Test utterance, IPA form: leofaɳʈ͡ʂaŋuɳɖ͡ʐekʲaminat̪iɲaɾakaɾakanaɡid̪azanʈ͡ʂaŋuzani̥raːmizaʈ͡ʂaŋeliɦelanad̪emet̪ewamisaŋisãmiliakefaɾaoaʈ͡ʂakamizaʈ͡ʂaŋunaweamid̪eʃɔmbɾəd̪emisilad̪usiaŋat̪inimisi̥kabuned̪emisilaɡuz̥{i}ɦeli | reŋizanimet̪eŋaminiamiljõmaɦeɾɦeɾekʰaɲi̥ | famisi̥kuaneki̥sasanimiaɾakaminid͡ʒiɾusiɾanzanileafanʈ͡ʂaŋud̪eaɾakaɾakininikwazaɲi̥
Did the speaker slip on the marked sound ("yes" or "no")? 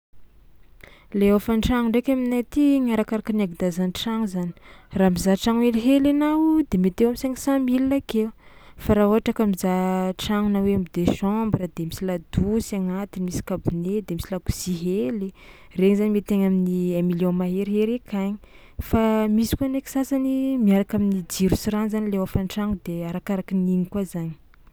no